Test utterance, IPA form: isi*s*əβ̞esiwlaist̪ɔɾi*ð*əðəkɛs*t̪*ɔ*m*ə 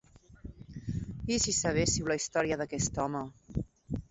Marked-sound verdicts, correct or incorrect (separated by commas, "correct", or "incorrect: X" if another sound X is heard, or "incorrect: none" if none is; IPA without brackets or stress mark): correct, incorrect: none, correct, correct